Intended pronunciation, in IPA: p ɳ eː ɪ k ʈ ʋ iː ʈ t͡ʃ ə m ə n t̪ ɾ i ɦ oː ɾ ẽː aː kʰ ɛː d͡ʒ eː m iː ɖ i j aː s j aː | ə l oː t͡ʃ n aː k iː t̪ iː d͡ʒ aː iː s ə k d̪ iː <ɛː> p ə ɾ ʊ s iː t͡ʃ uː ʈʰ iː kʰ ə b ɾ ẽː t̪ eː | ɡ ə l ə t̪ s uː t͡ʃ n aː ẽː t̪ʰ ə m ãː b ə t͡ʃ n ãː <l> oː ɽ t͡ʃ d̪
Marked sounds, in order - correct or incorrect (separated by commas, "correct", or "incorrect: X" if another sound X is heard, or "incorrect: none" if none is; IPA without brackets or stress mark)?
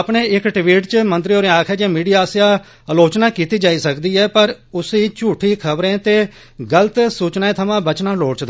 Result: correct, correct